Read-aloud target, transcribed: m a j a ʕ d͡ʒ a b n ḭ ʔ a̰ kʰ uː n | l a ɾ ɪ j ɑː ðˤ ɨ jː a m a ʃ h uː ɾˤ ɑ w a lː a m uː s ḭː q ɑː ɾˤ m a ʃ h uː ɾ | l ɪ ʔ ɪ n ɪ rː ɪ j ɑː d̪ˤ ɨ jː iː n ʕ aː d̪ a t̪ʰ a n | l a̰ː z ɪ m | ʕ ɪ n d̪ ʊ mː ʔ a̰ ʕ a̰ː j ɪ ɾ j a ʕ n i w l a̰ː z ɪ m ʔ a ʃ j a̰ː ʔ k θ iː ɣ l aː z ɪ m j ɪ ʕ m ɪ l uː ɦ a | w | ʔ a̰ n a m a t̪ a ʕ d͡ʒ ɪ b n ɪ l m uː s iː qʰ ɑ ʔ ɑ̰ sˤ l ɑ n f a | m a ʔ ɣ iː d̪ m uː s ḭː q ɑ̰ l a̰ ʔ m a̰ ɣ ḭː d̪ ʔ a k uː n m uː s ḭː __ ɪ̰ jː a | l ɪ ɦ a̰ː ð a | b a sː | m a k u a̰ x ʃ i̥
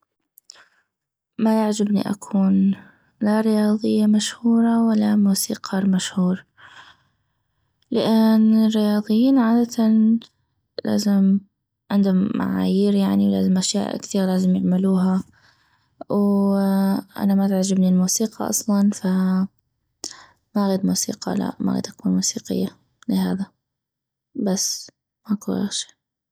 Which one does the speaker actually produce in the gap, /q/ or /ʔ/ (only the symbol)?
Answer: q